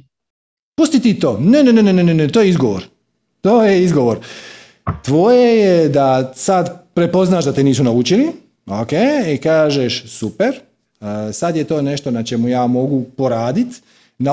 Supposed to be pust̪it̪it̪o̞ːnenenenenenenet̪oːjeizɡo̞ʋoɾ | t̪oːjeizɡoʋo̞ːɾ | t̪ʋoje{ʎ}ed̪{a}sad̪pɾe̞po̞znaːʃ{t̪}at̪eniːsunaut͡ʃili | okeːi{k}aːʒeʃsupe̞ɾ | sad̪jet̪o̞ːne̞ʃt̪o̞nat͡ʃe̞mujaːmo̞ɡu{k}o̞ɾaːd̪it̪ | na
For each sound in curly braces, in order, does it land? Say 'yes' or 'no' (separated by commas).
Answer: no, yes, no, yes, no